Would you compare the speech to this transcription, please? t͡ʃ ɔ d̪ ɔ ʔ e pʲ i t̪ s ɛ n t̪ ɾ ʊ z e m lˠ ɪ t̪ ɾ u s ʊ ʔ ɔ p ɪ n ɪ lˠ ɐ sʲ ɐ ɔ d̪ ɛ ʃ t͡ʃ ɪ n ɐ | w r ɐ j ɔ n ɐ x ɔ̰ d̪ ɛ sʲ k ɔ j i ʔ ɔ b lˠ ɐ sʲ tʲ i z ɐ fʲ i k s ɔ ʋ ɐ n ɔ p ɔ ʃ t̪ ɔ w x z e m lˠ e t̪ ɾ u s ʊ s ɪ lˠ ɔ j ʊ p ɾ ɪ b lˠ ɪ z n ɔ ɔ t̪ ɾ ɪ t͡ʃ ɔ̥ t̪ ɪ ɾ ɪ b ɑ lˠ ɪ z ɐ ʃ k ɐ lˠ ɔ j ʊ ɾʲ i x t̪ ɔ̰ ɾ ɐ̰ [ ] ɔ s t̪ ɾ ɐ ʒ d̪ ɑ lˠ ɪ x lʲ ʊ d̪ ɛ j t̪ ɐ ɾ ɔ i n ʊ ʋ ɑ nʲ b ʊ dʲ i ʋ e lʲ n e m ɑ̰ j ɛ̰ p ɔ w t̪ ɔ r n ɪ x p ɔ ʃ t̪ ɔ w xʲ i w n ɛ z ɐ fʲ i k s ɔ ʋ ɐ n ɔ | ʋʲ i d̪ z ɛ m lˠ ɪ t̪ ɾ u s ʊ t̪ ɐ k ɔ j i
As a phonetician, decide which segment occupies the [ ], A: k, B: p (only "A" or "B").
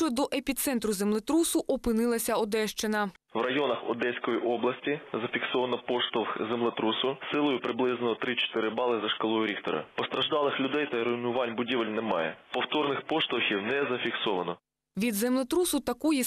B